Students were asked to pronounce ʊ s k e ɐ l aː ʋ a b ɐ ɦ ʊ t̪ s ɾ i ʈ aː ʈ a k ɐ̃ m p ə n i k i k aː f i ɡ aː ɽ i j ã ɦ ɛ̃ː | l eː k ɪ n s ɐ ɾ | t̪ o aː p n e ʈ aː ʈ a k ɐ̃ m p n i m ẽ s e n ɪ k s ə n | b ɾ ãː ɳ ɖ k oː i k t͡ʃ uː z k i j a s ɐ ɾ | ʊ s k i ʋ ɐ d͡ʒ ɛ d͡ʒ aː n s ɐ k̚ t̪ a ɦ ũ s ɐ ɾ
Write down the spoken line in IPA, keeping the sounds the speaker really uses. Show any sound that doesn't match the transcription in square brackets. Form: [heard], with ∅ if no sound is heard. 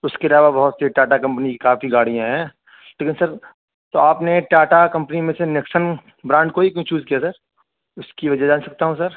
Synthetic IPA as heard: ʊ s k e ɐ l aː ʋ a b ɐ ɦ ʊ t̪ s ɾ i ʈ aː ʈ a k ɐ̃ m p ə n i k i k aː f i ɡ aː ɽ i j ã ɦ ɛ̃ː | l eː k ɪ n s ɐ ɾ | t̪ o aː p n e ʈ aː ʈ a k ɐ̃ m p n i m ẽ s e n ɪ k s ə n | b ɾ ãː ɳ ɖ k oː i k t͡ʃ uː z k i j a s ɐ ɾ | ʊ s k i ʋ ɐ d͡ʒ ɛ d͡ʒ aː n s ɐ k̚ t̪ a ɦ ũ s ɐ ɾ